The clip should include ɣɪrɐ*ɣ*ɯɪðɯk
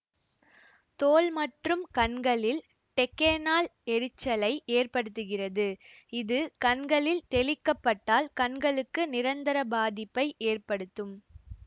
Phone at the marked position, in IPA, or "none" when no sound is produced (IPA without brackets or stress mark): ð